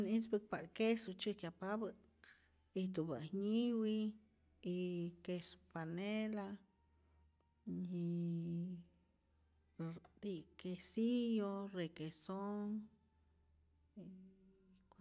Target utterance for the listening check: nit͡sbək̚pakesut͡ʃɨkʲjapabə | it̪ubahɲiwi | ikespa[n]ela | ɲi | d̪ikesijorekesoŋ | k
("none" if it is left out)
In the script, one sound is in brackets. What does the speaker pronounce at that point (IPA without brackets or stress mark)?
n